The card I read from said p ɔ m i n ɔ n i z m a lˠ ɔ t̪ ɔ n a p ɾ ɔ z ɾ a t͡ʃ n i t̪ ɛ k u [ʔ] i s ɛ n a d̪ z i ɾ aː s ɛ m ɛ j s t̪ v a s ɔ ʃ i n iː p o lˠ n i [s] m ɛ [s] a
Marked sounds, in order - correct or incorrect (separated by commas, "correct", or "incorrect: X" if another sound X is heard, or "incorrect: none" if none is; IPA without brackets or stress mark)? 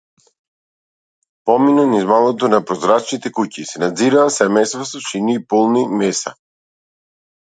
incorrect: c, incorrect: none, correct